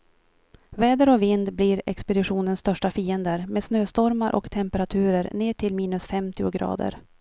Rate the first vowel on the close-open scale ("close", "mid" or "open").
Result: mid